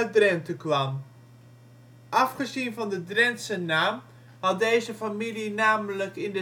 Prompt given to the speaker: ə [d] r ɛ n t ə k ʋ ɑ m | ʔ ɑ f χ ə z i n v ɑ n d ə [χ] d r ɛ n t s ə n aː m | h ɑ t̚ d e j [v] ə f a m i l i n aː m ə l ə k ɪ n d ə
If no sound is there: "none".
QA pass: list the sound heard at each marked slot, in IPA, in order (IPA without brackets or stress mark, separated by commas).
d, none, z